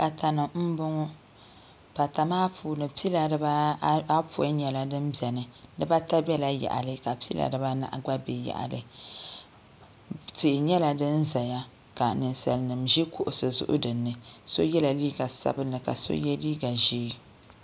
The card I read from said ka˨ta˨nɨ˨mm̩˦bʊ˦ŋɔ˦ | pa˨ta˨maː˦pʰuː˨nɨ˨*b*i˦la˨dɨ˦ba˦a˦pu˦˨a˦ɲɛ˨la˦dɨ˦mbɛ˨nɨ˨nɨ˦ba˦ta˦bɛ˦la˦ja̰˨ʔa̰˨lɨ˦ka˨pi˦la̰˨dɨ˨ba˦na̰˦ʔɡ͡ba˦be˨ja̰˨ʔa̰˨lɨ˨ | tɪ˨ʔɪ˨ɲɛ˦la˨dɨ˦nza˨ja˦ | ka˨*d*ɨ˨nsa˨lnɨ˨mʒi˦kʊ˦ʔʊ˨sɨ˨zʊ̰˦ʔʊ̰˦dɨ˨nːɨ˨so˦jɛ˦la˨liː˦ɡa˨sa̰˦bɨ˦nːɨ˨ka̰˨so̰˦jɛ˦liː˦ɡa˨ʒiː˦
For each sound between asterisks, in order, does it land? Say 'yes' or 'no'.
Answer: no, no

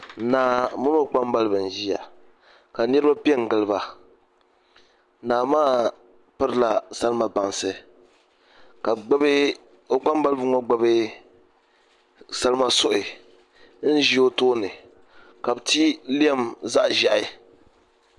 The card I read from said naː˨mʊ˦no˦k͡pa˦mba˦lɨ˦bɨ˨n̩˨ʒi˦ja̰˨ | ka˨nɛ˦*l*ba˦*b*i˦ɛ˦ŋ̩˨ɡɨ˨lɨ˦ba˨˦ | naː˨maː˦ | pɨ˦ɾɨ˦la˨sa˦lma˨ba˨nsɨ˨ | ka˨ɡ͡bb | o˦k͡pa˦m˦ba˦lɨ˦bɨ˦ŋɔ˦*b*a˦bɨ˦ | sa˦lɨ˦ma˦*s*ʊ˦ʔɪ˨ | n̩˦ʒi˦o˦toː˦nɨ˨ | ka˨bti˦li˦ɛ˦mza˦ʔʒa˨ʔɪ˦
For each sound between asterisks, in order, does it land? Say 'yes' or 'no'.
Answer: no, no, no, yes

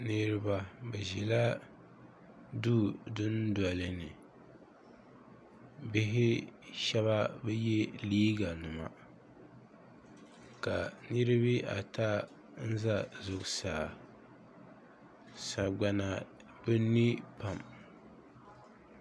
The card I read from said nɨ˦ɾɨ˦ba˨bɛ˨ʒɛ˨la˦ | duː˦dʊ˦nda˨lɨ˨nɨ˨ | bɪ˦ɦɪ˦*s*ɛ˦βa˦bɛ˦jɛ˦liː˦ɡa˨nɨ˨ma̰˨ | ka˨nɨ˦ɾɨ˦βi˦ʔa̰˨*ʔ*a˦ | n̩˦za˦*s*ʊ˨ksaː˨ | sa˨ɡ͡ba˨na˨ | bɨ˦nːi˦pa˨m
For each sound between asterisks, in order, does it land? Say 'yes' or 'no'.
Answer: no, no, no

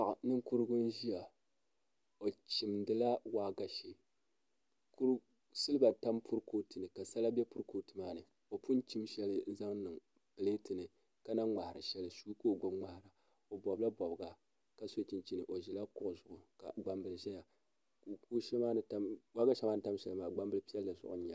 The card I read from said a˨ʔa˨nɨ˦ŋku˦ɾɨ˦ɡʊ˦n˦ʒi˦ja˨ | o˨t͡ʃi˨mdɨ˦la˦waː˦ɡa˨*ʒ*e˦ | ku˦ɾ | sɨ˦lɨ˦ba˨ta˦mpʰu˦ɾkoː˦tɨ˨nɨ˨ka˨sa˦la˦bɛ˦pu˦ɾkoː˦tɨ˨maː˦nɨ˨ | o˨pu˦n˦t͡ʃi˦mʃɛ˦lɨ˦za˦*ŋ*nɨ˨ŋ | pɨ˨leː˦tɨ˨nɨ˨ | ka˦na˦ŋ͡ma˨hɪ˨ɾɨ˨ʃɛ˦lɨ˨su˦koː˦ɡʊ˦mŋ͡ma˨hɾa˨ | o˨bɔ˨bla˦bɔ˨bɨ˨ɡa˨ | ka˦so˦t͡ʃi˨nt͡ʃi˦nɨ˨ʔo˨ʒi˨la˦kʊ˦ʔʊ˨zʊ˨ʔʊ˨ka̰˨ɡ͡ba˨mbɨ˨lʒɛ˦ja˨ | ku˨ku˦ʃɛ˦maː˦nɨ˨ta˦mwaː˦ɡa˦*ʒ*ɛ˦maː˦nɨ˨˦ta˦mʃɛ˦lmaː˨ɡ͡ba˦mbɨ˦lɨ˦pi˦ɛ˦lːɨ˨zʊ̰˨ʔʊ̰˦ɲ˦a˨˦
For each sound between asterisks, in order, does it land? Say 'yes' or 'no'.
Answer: no, yes, no

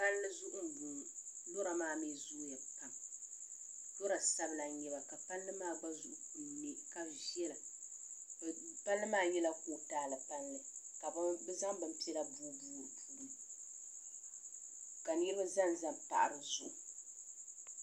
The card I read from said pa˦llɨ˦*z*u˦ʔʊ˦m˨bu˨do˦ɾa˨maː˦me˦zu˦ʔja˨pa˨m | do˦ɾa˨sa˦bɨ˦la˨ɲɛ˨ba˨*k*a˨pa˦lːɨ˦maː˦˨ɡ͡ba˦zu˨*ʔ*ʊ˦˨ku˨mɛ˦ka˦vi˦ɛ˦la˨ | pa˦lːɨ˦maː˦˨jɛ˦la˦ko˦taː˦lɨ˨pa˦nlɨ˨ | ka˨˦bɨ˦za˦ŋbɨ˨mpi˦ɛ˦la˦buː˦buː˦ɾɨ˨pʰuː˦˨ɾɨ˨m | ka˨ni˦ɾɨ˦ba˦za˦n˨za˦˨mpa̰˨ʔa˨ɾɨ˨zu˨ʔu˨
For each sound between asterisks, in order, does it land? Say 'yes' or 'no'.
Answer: yes, yes, yes

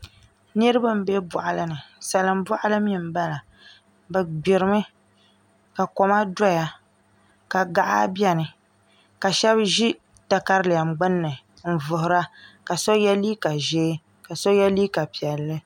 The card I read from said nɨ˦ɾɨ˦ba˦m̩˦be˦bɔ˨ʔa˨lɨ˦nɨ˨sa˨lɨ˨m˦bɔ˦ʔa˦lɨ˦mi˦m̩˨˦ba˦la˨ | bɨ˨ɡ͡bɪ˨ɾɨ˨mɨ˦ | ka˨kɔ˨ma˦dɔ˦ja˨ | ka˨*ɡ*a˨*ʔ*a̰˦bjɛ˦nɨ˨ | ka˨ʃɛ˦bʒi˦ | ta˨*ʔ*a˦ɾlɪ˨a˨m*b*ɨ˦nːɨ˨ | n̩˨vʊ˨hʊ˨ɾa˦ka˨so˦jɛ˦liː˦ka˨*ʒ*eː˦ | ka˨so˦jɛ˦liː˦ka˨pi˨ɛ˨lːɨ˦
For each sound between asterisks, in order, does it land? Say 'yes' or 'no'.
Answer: yes, yes, no, no, yes

